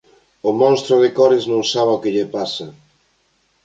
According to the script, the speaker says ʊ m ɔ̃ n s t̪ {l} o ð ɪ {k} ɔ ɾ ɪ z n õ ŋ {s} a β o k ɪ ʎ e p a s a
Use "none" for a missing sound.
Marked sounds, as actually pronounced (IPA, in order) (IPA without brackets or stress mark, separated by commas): ɾ, k, s